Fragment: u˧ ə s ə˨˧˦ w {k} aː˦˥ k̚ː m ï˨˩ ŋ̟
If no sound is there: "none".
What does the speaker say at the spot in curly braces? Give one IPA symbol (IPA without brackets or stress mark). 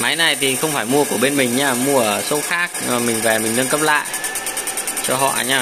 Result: x